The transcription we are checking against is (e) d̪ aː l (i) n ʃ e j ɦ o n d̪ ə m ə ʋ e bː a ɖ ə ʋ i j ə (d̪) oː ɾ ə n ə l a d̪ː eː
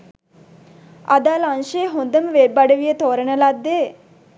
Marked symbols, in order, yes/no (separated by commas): no, no, no